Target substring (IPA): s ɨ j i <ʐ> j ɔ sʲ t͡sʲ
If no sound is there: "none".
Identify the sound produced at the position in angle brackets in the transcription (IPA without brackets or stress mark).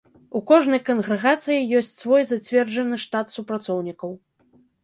none